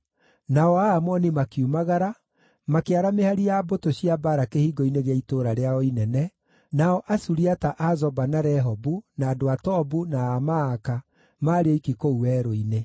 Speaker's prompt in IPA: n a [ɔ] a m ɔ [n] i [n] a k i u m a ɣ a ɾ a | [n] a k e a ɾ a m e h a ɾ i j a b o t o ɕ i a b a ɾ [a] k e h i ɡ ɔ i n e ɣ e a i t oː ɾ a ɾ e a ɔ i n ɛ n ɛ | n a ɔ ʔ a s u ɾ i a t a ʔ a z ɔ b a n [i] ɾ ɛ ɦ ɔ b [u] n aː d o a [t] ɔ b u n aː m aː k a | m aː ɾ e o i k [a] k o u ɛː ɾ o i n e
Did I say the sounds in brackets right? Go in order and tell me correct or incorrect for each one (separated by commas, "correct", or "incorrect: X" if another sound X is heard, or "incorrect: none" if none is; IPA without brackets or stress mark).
correct, correct, incorrect: m, incorrect: m, correct, incorrect: a, correct, correct, incorrect: i